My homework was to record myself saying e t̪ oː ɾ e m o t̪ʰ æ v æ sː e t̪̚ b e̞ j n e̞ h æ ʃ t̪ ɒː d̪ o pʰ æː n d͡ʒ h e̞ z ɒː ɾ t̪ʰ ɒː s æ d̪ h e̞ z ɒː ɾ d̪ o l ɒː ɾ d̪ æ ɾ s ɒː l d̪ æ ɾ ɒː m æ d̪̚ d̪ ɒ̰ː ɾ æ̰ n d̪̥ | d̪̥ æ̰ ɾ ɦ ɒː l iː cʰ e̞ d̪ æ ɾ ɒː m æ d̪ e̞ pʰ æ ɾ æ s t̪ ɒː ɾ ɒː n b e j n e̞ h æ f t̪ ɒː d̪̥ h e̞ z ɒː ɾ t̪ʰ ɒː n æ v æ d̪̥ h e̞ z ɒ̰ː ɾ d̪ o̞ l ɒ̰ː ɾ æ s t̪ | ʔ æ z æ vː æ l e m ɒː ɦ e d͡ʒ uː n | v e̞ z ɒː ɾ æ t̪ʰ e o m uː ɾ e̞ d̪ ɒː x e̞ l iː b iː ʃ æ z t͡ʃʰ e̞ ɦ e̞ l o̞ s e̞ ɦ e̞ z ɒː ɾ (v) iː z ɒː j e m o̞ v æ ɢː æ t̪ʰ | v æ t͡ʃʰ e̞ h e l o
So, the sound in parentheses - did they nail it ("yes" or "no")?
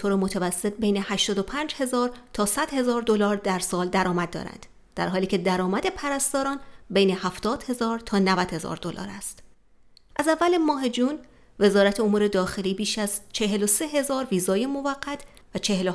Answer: yes